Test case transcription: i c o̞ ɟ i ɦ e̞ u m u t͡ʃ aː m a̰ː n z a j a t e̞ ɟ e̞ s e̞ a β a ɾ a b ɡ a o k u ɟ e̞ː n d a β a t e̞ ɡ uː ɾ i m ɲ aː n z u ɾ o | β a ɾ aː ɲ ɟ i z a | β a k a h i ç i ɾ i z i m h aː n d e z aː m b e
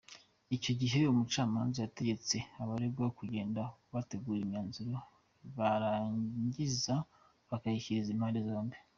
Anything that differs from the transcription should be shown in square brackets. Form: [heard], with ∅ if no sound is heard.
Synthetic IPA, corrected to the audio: i c o̞ ɟ i ɦ e̞ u m u t͡ʃ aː m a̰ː n z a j a t e̞ ɟ e̞ [t͡s] e̞ a β a ɾ [e] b ɡ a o k u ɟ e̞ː n d a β a t e̞ ɡ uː ɾ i m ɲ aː n z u ɾ o | β a ɾ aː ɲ ɟ i z a | β a k a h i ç i ɾ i z i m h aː n d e z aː m b e